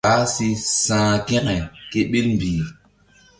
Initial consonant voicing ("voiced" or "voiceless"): voiceless